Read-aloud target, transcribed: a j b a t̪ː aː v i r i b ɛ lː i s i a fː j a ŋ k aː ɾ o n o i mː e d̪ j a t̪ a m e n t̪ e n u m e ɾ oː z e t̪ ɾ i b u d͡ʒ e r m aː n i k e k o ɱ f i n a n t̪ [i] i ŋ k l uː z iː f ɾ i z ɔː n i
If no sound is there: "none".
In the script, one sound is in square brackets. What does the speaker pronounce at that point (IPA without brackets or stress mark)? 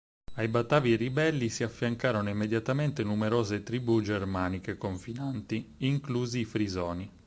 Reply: i